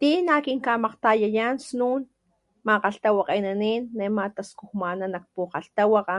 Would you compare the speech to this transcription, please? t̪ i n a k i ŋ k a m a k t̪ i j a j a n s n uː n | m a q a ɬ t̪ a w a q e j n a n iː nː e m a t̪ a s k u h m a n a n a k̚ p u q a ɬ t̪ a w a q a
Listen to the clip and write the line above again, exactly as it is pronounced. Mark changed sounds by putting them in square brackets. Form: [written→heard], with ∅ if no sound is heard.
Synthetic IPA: t̪ i n a k i ŋ k a m a [k→q] t̪ [i→a] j a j a n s n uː n | m a q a ɬ t̪ a w a q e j n a n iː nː e m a t̪ a s k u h m a n a n a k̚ p u q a ɬ t̪ a w a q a